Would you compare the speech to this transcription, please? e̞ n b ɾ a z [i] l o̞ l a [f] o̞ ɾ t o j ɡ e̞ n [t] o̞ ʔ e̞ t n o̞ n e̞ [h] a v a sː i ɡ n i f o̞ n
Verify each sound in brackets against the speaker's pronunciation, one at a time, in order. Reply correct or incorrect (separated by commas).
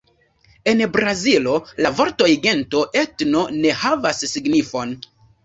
correct, incorrect, correct, correct